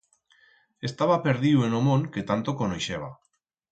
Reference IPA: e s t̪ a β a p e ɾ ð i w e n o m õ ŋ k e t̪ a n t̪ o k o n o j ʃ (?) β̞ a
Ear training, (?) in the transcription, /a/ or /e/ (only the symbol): e